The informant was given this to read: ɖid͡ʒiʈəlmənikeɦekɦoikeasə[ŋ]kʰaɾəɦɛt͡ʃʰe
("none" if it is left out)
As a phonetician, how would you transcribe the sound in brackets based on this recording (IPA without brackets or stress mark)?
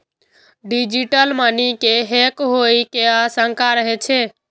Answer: ŋ